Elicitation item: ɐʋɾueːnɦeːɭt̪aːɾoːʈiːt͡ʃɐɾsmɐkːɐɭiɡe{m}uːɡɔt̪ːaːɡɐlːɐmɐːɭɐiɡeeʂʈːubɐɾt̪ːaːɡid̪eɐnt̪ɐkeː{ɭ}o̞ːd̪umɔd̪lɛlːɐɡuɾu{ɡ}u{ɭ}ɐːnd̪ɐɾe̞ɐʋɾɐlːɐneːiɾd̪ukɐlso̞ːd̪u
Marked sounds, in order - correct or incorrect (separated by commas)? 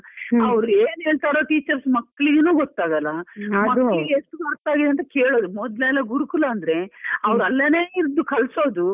incorrect, correct, incorrect, incorrect